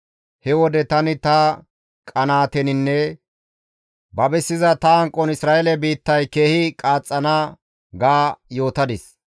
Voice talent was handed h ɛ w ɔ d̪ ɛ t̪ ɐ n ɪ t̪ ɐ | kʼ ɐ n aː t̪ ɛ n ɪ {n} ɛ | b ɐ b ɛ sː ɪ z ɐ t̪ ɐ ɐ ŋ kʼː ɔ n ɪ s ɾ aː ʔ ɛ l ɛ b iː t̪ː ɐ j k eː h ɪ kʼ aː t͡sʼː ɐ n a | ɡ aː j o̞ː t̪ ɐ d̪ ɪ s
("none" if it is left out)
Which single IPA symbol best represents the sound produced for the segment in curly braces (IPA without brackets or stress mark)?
nː